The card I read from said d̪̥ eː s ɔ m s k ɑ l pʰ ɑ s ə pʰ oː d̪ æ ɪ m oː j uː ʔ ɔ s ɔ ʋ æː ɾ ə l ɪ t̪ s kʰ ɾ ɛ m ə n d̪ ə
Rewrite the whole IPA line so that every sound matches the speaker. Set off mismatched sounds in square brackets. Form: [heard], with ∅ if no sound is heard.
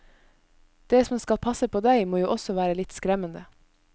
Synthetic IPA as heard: d̪̥ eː s ɔ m s k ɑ l pʰ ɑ s ə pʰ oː d̪ æ ɪ m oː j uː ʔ ɔ s ɔ ʋ æː ɾ ə l ɪ t̪ s [k] ɾ ɛ m ə n d̪ ə